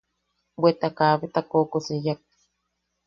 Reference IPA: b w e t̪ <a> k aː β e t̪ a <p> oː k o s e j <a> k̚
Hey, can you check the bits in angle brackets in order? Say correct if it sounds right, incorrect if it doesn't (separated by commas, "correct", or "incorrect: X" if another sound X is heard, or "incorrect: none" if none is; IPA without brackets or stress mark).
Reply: correct, incorrect: k, correct